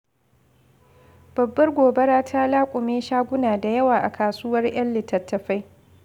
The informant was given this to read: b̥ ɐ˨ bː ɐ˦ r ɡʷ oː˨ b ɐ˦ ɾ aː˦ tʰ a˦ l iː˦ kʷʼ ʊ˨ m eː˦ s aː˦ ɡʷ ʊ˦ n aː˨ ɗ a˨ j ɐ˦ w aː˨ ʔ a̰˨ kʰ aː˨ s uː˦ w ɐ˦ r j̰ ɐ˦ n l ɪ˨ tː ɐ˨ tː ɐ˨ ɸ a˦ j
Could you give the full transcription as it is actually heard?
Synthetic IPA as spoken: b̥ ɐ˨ bː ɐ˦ r ɡʷ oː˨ b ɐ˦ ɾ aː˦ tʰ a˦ l aː˦ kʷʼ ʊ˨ m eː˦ ʃ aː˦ ɡʷ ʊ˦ n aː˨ d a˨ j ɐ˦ w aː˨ ʔ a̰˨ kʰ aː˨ s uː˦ w ɐ˦ r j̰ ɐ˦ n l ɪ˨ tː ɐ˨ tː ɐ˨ ɸ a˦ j